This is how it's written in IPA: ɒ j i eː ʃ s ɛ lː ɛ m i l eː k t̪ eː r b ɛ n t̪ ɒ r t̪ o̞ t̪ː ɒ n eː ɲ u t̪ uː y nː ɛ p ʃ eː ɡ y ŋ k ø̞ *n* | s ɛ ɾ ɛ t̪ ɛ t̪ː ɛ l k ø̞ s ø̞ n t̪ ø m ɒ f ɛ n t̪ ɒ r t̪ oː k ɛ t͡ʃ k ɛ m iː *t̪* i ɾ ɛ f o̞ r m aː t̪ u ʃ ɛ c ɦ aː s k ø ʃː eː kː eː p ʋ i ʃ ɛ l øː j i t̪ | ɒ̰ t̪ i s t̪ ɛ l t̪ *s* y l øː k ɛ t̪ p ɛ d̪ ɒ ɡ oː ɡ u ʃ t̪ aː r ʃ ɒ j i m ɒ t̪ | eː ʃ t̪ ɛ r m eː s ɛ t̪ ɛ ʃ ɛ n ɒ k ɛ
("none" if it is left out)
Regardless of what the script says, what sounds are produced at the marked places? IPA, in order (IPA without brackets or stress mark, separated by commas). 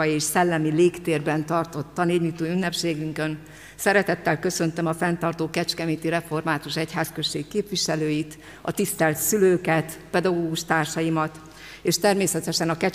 n, t̪, s